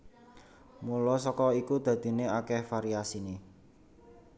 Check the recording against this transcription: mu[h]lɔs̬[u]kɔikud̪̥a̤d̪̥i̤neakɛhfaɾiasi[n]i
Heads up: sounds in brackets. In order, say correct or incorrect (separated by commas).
incorrect, incorrect, correct